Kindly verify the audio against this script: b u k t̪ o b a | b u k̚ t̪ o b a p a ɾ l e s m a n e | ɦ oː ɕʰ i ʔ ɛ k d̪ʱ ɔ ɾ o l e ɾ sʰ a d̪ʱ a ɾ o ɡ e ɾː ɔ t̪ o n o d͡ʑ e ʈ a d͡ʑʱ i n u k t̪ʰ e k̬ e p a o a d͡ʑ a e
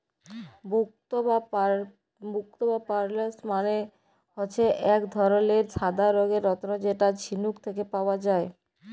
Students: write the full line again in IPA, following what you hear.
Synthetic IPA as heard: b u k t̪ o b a | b u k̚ t̪ o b a p a ɾ l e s m a n e | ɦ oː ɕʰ e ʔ ɛ k d̪ʱ ɔ ɾ o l e ɾ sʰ a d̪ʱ a ɾ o ɡ e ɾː ɔ t̪ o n o d͡ʑ e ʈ a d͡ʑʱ i n u k t̪ʰ e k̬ e p a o a d͡ʑ a e

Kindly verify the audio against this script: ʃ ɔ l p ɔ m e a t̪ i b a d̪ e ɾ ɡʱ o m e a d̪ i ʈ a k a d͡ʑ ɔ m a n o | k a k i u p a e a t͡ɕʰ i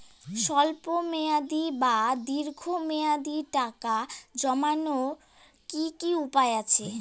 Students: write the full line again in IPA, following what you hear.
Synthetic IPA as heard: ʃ ɔ l p o m e a d̪ i b a d̪ i ɾ ɡʱ o m e a d̪ i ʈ a k a d͡ʑ ɔ m a n o | k i k i u p a e a t͡ɕʰ e

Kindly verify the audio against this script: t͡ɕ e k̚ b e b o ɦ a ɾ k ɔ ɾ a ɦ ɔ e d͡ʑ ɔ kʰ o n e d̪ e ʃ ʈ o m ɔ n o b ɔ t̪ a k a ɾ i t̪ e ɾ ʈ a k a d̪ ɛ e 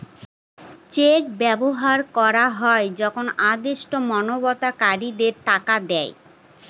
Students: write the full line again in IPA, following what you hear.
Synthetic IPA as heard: t͡ɕ e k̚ b ɛ b o ɦ a ɾ k ɔ ɾ a ɦ ɔ e d͡ʑ ɔ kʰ o n a d̪ e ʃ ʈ o m ɔ n o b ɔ t̪ a k a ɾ i d̪ e ɾ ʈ a k a d̪ ɛ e

